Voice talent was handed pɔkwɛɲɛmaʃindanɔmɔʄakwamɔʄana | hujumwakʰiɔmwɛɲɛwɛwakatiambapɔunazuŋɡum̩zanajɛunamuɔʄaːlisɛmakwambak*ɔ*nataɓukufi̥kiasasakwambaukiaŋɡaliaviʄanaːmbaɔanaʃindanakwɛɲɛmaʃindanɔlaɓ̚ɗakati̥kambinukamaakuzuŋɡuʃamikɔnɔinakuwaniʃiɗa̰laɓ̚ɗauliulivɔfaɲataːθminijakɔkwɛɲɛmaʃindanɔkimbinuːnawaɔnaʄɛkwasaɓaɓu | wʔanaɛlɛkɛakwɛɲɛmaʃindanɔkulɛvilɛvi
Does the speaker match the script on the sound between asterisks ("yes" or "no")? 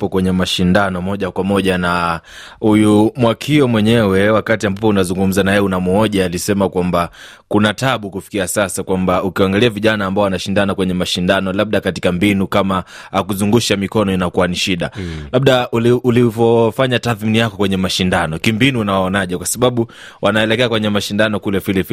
no